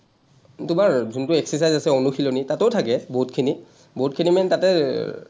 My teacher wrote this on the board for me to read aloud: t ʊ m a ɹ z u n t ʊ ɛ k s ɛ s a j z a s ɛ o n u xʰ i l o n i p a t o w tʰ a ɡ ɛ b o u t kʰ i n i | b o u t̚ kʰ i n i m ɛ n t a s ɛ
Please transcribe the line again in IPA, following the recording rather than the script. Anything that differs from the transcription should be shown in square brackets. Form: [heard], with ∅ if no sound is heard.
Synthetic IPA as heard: t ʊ m a ɹ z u n t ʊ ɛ k s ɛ s a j z a s ɛ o n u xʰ i l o n i [t] a t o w tʰ a [k] ɛ b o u t kʰ i n i | b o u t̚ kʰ i n i m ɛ n t a [t] ɛ